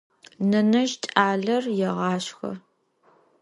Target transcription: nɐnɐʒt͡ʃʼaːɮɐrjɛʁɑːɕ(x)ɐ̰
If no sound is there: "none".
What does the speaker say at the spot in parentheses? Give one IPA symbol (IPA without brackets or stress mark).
x